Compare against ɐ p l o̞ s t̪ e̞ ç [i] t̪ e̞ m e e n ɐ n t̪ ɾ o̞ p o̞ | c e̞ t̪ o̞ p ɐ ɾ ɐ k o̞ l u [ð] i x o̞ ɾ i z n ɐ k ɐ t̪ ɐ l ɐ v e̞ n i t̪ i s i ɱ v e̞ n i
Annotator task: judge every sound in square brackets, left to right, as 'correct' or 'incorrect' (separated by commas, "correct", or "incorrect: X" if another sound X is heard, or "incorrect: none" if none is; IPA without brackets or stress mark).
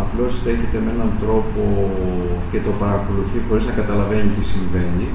incorrect: e, incorrect: θ